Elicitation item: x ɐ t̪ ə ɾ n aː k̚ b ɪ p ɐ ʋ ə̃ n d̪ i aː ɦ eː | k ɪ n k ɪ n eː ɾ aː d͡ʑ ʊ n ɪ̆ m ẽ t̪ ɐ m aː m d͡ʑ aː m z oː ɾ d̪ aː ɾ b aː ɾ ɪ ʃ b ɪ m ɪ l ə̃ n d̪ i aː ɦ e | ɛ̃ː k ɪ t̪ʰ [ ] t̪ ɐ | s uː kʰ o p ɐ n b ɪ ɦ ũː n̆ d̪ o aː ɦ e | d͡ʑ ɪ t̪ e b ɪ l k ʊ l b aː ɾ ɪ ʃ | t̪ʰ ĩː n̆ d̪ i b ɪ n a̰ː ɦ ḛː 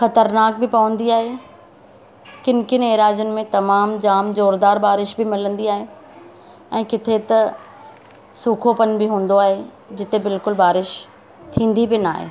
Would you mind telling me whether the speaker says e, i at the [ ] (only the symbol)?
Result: e